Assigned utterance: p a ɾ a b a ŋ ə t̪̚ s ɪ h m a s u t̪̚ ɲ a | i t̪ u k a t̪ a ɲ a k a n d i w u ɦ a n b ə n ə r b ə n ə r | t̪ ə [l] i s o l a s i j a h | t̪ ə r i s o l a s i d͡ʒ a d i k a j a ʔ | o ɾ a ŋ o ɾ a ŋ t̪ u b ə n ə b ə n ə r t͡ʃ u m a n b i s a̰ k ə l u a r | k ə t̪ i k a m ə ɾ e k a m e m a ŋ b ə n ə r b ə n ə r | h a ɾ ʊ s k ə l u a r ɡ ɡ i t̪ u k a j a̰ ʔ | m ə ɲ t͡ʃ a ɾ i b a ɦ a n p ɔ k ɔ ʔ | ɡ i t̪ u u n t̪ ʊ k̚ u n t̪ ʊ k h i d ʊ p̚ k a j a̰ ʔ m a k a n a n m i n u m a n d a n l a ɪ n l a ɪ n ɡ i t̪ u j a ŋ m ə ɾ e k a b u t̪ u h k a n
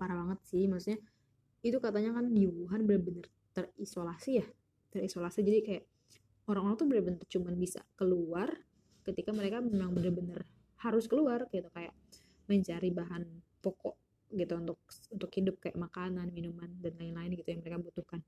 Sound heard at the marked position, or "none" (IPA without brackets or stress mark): r